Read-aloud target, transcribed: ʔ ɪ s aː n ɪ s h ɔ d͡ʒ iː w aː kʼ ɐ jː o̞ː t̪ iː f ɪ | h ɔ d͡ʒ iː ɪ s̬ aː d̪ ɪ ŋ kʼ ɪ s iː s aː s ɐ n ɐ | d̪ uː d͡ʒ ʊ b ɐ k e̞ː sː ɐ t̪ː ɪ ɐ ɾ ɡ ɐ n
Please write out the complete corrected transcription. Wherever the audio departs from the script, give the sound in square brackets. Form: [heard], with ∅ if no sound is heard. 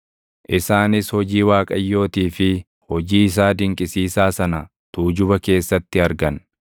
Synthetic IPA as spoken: ʔ ɪ s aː n ɪ s h ɔ d͡ʒ iː w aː kʼ ɐ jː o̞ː t̪ iː f ɪ | h ɔ d͡ʒ iː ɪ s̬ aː d̪ ɪ ŋ kʼ ɪ s iː s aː s ɐ n ɐ | [t̪] uː d͡ʒ ʊ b ɐ k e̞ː sː ɐ t̪ː ɪ ɐ ɾ ɡ ɐ n